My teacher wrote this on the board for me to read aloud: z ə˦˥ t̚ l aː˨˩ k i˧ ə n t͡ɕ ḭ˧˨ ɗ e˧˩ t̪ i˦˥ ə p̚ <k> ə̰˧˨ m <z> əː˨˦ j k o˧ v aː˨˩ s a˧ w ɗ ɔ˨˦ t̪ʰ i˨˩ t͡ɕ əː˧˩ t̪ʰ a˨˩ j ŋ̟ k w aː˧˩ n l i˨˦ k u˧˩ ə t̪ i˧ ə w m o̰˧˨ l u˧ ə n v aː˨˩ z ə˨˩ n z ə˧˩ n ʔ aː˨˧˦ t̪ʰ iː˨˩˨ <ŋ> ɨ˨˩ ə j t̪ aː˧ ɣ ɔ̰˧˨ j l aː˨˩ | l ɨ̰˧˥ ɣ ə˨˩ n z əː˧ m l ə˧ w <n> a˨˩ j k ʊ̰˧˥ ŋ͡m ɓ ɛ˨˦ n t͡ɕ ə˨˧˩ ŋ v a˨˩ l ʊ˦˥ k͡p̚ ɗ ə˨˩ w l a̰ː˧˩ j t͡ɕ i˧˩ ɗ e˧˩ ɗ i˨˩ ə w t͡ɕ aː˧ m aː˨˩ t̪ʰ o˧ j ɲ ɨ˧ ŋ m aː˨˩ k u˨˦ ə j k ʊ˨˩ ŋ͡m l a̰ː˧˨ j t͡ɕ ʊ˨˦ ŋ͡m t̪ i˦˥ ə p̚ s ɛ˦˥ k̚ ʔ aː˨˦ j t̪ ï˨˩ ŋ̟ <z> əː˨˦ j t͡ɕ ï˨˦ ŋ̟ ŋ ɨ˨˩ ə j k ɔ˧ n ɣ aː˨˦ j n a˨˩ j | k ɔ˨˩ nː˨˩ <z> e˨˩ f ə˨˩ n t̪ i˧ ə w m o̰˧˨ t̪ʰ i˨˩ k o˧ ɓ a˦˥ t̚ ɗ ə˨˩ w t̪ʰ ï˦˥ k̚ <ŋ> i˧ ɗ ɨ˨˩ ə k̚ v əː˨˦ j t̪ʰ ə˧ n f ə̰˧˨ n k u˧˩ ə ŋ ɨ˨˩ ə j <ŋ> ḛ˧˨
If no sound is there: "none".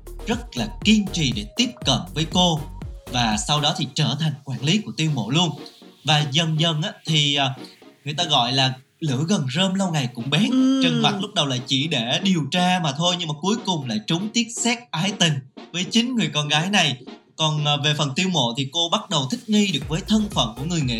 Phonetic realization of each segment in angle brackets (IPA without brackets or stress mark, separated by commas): k, v, ŋ, ŋ, v, v, ŋ, ŋ